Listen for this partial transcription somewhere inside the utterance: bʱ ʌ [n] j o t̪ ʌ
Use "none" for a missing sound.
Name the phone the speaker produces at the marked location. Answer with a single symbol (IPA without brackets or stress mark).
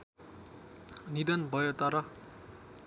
none